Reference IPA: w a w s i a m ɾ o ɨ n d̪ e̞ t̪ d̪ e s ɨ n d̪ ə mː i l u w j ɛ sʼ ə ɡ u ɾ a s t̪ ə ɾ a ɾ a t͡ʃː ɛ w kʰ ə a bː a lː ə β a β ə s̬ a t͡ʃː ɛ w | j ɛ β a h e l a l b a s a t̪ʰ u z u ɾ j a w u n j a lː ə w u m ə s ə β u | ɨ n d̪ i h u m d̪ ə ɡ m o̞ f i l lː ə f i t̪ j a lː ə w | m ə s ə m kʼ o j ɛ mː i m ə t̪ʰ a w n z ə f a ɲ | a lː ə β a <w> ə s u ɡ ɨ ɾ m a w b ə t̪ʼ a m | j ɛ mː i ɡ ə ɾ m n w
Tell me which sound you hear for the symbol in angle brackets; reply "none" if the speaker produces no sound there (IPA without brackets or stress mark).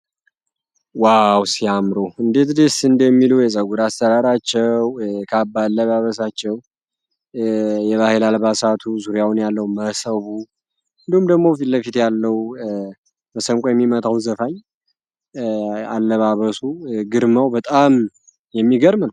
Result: β